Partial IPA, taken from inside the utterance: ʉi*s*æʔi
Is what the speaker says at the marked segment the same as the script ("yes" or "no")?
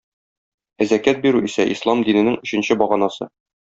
yes